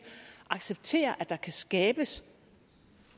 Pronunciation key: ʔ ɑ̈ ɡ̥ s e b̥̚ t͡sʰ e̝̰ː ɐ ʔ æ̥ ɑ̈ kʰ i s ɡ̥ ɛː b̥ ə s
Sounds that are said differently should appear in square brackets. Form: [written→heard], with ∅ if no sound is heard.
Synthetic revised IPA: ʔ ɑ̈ ɡ̥ s e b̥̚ t͡sʰ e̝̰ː ɐ ʔ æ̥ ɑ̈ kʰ [i→æ] s ɡ̥ ɛː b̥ ə s